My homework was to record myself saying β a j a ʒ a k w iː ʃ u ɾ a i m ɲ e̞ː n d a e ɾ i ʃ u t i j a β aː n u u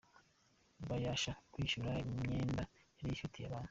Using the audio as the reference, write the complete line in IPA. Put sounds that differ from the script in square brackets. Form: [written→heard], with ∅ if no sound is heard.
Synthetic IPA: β a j a [ʒ→ʃ] a k w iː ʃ u ɾ a i m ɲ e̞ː n d a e ɾ i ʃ u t i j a β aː n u u

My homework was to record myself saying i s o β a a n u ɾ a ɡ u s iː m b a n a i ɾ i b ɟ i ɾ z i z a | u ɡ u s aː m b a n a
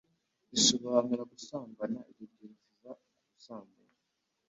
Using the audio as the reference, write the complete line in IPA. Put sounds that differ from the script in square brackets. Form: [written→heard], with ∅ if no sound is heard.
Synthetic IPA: i s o β a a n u ɾ a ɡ u s [iː→aː] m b a n a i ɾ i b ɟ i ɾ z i z a | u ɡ u s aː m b a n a

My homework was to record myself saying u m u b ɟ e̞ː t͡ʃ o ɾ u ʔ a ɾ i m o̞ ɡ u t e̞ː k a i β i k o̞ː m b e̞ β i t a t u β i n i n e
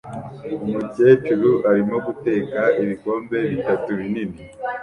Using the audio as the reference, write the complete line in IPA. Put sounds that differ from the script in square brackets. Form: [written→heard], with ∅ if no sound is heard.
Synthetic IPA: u m u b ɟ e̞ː t͡ʃ [o→u] ɾ u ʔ a ɾ i m o̞ ɡ u t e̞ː k a i β i k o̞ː m b e̞ β i t a t u β i n i n [e→i]

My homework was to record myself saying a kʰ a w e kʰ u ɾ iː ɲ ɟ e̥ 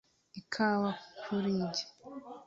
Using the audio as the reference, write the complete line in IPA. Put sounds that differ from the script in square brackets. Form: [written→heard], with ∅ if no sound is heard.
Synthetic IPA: [a→i] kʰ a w [e→a] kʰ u ɾ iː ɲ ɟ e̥

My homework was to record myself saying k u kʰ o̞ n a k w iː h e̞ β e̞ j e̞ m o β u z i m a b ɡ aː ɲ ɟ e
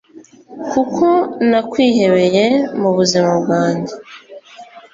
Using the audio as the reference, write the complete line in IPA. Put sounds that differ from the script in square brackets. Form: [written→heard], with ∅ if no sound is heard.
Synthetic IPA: k u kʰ o̞ n a k w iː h e̞ β e̞ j e̞ m [o→u] β u z i m a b ɡ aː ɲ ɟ e

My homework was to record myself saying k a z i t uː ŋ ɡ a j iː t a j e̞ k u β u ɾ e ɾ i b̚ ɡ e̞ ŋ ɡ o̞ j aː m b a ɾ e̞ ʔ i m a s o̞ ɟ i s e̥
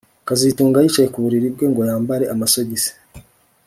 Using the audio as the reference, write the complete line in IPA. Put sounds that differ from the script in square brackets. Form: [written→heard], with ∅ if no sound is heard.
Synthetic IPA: k a z i t uː ŋ ɡ a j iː [t→t͡ʃ] a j e̞ k u β u ɾ [e→i] ɾ i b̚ ɡ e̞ ŋ ɡ o̞ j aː m b a ɾ e̞ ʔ [i→a] m a s o̞ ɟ i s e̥

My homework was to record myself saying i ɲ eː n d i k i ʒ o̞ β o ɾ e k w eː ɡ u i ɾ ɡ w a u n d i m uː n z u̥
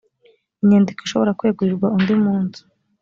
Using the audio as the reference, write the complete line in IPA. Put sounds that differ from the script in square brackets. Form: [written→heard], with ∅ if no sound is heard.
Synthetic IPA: i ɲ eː n d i k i [ʒ→ʃ] o̞ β o ɾ [e→a] k w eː ɡ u i ɾ ɡ w a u n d i m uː n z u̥

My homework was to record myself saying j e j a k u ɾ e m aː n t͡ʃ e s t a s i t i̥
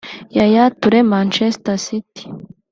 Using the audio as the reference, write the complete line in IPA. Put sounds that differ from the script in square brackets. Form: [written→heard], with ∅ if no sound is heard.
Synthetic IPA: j [e→a] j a [k→t] u ɾ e m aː n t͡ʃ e s t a s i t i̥

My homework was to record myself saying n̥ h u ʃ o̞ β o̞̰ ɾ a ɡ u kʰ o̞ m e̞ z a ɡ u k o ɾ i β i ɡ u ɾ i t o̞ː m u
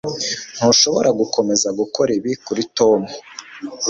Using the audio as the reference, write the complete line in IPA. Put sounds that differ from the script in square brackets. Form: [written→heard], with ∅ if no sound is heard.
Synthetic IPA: n̥ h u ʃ o̞ β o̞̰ ɾ a ɡ u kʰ o̞ m e̞ z a ɡ u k o ɾ i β i [ɡ→k] u ɾ i t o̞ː m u

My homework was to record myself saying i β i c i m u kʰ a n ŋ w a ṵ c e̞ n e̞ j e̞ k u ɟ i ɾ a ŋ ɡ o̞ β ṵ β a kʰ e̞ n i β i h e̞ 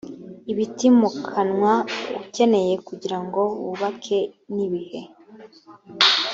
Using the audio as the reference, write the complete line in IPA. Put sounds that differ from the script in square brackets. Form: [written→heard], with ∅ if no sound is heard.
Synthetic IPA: i β i [c→t] i m u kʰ a n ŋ w a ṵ c e̞ n e̞ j e̞ k u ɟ i ɾ a ŋ ɡ o̞ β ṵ β a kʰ e̞ n i β i h e̞

